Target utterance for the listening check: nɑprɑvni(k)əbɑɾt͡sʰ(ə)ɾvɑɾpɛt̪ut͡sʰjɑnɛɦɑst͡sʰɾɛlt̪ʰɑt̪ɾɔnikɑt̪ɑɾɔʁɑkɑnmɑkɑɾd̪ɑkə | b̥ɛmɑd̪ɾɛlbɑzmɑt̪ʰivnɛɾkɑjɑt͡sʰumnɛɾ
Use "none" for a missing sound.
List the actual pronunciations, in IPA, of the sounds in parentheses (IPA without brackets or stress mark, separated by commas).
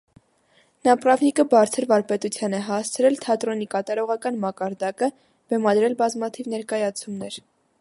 k, ə